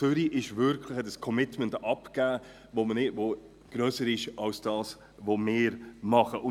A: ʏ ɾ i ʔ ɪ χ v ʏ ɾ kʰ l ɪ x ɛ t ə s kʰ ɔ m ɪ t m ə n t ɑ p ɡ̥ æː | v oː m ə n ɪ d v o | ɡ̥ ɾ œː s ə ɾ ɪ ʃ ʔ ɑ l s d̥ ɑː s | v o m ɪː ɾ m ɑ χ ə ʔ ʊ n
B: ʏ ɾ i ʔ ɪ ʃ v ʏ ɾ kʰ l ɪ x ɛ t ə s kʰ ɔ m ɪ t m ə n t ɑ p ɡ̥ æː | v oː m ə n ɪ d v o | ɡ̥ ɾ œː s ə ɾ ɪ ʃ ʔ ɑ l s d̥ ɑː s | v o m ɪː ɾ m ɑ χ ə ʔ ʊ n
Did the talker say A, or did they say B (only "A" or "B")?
B